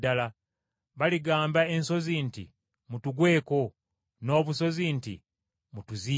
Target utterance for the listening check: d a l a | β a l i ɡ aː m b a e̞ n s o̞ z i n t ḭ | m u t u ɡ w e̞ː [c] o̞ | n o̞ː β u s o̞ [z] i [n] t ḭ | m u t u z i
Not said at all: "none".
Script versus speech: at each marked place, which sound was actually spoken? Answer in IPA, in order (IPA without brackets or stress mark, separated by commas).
k, z, n